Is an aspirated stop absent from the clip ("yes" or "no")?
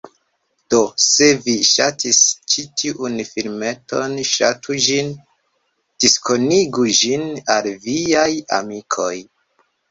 no